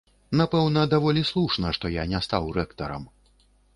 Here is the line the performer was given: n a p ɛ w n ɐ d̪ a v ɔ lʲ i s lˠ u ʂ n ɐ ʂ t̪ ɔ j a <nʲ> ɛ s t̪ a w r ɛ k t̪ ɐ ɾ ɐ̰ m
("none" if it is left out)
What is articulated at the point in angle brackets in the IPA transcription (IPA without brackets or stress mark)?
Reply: nʲ